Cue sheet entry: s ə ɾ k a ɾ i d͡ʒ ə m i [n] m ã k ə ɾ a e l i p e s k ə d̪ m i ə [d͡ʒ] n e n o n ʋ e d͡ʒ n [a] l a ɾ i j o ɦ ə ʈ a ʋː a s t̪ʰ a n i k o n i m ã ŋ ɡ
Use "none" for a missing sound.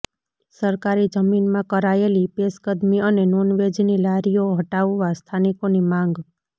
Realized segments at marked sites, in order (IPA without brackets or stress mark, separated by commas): n, none, i